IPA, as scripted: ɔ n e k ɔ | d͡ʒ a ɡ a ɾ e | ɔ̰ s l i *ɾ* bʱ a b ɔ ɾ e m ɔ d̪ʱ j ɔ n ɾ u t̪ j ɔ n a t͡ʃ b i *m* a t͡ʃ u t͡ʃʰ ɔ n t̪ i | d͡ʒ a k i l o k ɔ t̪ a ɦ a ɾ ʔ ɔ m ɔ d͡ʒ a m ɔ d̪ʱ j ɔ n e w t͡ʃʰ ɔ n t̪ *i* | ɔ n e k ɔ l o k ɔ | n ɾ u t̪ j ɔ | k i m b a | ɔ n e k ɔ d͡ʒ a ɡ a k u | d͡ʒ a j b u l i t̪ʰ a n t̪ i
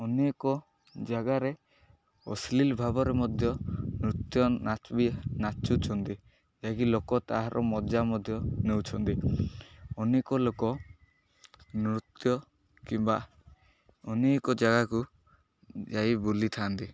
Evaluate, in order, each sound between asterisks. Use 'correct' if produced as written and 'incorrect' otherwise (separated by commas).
incorrect, incorrect, correct